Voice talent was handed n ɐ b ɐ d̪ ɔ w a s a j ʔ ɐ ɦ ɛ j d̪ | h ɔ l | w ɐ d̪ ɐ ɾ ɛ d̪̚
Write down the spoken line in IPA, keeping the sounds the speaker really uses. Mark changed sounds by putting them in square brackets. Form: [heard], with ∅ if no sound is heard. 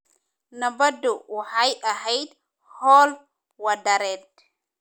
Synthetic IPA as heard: n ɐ b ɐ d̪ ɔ w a [ħ] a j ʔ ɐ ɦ ɛ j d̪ | h ɔ l | w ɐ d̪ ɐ ɾ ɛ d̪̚